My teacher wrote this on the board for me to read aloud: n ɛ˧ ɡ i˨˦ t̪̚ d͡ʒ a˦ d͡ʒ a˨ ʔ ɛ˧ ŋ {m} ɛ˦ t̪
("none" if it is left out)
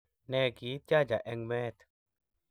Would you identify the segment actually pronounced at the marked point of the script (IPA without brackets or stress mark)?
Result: m